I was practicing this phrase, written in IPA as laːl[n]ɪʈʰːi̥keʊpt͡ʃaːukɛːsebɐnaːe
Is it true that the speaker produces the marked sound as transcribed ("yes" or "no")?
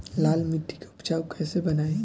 no